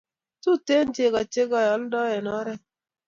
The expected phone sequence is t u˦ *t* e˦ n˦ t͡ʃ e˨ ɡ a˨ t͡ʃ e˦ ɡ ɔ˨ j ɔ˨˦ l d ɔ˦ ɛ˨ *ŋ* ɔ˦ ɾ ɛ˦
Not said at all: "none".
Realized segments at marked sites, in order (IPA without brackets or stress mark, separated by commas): t, n